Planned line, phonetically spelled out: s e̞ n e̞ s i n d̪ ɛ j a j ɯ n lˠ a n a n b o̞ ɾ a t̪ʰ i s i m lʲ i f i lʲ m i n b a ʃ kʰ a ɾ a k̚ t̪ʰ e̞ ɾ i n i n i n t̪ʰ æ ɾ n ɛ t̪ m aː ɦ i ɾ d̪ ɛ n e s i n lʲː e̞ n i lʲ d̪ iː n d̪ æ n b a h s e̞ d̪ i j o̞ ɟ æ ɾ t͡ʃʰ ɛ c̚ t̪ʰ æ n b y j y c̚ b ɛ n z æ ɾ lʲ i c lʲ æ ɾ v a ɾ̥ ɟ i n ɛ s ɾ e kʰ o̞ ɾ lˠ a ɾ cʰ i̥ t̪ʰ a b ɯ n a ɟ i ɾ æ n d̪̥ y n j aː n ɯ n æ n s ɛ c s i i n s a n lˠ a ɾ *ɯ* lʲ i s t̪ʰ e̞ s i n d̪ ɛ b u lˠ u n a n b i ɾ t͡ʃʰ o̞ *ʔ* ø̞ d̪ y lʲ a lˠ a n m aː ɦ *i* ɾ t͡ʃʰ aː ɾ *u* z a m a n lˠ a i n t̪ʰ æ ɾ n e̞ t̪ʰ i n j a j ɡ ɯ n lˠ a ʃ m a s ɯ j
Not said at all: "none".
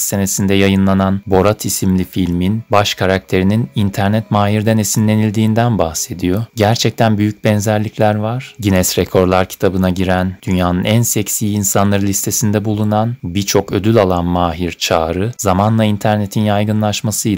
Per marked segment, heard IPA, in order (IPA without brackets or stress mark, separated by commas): ɯ, k, i, ɯ